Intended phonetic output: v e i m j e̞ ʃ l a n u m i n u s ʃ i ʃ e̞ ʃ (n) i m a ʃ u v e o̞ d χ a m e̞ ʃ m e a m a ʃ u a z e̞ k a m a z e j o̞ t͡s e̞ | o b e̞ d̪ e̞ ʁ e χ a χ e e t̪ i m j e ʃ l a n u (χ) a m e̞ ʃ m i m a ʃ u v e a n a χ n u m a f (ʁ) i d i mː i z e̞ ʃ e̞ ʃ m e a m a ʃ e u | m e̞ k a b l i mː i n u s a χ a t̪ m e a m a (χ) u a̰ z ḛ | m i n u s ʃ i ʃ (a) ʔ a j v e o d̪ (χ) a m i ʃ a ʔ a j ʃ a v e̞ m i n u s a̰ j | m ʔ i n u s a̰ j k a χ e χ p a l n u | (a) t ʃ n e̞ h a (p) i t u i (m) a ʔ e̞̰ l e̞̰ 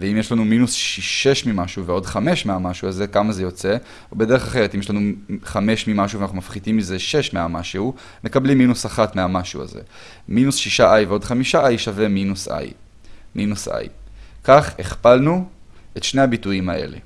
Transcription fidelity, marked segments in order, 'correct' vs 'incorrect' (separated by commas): incorrect, correct, incorrect, incorrect, correct, correct, incorrect, incorrect, correct